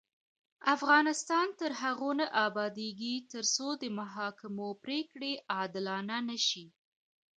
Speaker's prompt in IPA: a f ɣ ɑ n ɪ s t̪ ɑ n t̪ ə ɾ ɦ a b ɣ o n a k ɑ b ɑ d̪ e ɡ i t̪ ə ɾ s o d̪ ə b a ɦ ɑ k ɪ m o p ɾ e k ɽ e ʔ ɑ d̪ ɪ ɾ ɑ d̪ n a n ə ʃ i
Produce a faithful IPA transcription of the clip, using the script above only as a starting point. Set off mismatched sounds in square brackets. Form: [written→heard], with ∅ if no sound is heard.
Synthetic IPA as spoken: a f ɣ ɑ n ɪ s t̪ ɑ n t̪ ə ɾ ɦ a [b→∅] ɣ o n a [k→ʔ] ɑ b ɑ d̪ e ɡ i t̪ ə ɾ s o d̪ ə [b→m] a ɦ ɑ k ɪ m o p ɾ e k ɽ e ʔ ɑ d̪ ɪ [ɾ→l] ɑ [d̪→∅] n a n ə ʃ i